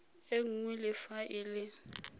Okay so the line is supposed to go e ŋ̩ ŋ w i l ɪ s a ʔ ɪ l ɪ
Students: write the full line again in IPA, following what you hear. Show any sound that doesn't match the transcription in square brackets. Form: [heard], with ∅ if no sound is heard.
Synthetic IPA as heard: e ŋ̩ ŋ w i l ɪ [f] a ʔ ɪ l ɪ